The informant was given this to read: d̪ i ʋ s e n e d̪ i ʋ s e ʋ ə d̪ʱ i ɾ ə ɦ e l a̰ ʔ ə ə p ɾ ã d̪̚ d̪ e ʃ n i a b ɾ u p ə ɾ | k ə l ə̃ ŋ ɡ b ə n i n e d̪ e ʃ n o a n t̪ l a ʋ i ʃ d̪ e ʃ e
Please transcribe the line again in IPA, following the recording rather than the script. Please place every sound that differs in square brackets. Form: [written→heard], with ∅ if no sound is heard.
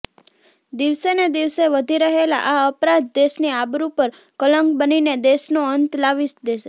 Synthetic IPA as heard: d̪ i ʋ s e n e d̪ i ʋ s e ʋ ə d̪ʱ i ɾ ə ɦ e l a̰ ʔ [ə→a] ə p ɾ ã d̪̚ d̪ e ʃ n i a b ɾ u p ə ɾ | k ə l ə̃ ŋ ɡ b ə n i n e d̪ e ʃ n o [a→ə] n t̪ l a ʋ i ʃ d̪ e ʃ e